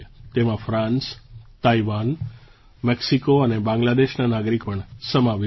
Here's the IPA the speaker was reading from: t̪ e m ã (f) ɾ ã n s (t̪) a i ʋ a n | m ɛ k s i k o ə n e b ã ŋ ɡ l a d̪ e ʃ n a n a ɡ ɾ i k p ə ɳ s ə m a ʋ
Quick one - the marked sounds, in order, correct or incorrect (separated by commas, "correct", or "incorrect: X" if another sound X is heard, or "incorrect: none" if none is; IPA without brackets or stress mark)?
correct, correct